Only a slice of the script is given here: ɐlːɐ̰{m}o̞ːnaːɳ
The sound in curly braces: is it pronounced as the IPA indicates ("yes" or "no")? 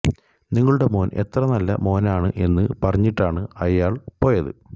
yes